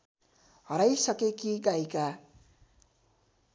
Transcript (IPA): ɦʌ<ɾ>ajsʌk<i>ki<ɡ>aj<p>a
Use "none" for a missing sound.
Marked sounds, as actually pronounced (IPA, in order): ɾ, e, ɡ, k

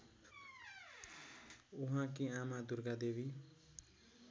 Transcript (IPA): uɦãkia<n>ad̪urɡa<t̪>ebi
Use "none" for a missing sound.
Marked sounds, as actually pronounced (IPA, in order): m, d̪

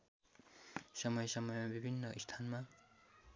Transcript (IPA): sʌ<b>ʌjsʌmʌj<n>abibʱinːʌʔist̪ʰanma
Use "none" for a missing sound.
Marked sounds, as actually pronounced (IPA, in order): m, m

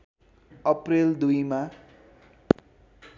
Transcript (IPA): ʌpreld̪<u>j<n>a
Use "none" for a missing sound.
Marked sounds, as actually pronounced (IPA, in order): u, m

